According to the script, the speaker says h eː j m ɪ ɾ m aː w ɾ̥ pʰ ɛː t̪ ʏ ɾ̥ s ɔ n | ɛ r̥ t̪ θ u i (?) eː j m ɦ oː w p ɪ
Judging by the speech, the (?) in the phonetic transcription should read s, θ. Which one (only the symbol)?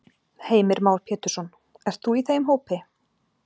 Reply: θ